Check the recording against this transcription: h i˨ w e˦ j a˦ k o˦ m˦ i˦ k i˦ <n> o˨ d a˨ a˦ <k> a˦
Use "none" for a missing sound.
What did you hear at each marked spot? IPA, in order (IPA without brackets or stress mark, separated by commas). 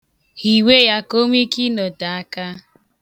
n, k